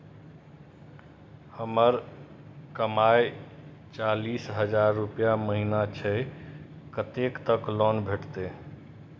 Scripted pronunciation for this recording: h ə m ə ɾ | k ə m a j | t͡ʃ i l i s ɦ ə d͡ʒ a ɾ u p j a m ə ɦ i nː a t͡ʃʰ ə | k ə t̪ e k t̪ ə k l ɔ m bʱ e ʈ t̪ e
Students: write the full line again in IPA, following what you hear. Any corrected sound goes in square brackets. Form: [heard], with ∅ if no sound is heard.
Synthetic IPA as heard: h ə m ə ɾ | k ə m a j | t͡ʃ [a] l i s ɦ ə d͡ʒ a [ɾː] u p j a m ə ɦ i [n] a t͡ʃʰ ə | k ə t̪ e k t̪ ə k l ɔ [n] bʱ e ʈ t̪ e